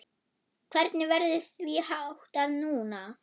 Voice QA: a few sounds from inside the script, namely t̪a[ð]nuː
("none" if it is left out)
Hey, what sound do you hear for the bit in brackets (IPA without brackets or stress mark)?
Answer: ð